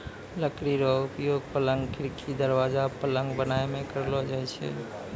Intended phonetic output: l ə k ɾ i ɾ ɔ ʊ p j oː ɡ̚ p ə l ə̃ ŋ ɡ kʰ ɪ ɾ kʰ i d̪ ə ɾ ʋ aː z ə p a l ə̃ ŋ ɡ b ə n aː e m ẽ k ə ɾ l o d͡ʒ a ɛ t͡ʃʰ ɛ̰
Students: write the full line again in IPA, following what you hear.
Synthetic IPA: l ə k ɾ i ɾ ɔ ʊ p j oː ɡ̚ p ə l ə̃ ŋ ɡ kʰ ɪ ɾ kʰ i d̪ ə ɾ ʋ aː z a p ə l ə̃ ŋ ɡ b ə n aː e m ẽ k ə ɾ l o d͡ʒ a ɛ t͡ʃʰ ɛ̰